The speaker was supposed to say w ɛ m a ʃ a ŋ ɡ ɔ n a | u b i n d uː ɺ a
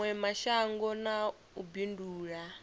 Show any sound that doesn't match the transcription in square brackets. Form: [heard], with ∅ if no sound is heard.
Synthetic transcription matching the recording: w ɛ m a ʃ a ŋ ɡ ɔ n a | u b i n d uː ɺ a

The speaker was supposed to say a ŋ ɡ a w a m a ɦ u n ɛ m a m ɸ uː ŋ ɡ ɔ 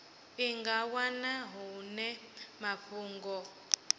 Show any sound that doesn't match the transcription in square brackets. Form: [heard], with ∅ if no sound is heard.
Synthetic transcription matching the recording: [i] ŋ ɡ a w a [n] a ɦ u n ɛ m a [∅] ɸ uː ŋ ɡ ɔ

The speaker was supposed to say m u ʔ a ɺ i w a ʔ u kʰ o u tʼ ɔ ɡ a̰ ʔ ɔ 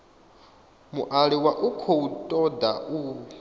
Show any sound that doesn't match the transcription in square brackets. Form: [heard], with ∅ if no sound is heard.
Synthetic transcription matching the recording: m u ʔ a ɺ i w a ʔ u kʰ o u tʼ ɔ [d] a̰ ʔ [u]

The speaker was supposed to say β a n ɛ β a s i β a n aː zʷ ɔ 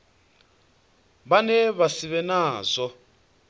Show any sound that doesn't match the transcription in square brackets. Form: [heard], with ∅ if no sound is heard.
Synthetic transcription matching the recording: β a n ɛ β a s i β [ɛ] n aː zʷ ɔ

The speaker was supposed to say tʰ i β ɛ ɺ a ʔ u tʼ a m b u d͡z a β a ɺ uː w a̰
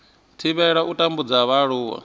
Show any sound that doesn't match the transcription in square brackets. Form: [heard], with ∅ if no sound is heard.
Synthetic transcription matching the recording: tʰ i β ɛ ɺ a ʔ u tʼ a m b u d͡z a β a ɺ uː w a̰

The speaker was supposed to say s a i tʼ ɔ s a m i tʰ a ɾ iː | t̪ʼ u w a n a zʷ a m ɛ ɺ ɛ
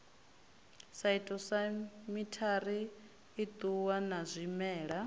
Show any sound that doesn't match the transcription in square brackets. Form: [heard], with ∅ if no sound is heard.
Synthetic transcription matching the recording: s a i tʼ ɔ s a m i tʰ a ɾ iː | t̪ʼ u w a n a zʷ [i] m [ɛː] ɺ [a]

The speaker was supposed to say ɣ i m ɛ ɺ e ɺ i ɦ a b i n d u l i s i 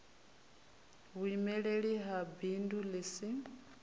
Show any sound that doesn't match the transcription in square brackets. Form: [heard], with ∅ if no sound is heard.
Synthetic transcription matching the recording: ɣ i m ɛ ɺ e ɺ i ɦ a b i n d u l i s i

